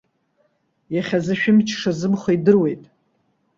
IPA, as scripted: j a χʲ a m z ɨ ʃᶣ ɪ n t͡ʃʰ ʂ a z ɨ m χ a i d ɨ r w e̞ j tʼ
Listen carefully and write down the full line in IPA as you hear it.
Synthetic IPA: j a χʲ a z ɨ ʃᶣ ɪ m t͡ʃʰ ʂ a z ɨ m χ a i d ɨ r w e̞ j tʼ